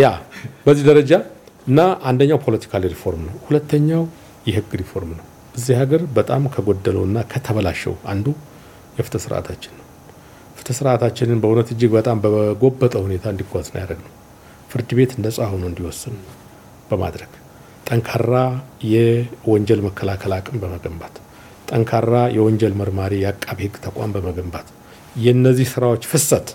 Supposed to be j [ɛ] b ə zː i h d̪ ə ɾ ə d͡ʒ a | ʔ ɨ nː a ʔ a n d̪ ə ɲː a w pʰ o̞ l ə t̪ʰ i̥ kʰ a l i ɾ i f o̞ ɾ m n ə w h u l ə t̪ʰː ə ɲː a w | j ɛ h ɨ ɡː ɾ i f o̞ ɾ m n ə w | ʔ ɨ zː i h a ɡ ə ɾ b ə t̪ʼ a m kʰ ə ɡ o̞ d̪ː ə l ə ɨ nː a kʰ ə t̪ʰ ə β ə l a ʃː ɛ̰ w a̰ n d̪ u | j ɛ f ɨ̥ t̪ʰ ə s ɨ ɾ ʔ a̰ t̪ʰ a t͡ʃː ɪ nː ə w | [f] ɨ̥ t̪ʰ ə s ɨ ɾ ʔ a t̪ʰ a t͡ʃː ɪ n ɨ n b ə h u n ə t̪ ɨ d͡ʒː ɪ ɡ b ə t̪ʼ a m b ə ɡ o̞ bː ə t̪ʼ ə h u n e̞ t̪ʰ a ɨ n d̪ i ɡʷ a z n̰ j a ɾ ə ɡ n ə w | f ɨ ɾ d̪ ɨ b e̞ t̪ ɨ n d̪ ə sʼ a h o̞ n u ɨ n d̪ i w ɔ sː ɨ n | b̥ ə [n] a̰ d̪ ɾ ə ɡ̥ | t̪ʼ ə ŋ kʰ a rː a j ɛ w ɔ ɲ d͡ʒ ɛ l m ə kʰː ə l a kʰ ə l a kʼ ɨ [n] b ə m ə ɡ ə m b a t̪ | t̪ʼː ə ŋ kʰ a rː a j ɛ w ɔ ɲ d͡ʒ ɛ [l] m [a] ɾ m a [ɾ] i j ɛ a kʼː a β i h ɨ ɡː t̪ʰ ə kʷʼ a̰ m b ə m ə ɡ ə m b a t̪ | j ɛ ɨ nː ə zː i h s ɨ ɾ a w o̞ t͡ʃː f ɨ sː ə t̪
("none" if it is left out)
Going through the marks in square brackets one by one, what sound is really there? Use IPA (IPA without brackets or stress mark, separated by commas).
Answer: a, f, m, m, l, ə, ɾ